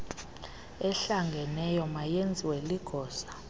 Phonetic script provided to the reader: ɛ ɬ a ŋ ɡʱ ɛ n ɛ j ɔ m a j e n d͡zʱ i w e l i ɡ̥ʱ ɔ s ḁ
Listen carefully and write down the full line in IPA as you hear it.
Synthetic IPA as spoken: ɛ ɬ a ŋ ɡʱ ɛ n ɛ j ɔ m a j e n d͡zʱ i w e l i ɡ̥ʱ ɔː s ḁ